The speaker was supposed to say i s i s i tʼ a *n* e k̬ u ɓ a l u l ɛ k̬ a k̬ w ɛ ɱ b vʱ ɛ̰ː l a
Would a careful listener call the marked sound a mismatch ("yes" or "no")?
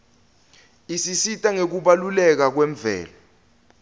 yes